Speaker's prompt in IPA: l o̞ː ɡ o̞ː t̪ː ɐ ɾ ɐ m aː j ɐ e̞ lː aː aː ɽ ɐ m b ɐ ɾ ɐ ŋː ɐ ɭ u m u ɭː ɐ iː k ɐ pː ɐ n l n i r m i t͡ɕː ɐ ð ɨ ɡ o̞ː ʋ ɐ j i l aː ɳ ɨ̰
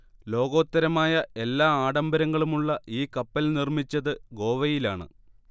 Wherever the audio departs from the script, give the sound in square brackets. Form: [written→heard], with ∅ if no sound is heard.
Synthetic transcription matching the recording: l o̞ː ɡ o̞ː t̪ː ɐ ɾ ɐ m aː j ɐ e̞ lː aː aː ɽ ɐ m b ɐ ɾ ɐ ŋː ɐ ɭ u m u ɭː ɐ iː k ɐ pː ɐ [n→∅] l n i r m i t͡ɕː ɐ ð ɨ ɡ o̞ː ʋ ɐ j i l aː ɳ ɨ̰